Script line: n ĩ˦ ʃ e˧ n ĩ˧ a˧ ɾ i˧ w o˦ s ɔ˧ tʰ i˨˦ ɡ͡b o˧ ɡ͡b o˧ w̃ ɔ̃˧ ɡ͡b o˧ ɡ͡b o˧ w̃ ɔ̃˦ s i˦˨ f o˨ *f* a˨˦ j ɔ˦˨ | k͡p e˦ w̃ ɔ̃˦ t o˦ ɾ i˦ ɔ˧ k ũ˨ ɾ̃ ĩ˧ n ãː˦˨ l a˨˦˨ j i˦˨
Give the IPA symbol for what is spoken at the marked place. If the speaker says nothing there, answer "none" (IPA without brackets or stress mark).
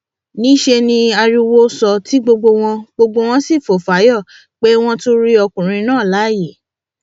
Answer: f